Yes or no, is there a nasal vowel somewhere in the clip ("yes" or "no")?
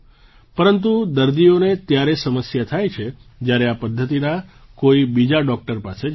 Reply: no